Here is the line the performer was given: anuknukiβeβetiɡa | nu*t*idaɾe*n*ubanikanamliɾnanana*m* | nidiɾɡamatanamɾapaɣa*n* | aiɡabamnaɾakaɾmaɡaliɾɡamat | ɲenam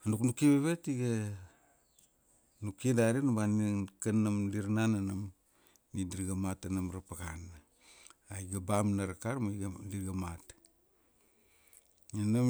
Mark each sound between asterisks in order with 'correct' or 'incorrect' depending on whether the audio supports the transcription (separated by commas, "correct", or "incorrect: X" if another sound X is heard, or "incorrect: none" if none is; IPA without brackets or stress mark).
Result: incorrect: k, correct, correct, correct